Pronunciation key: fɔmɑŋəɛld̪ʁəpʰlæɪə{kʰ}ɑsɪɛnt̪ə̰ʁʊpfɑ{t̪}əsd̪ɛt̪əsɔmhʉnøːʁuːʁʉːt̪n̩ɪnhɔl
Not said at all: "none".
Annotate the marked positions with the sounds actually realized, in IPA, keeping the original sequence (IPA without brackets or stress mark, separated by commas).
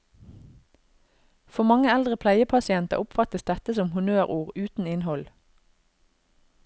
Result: pʰ, t̪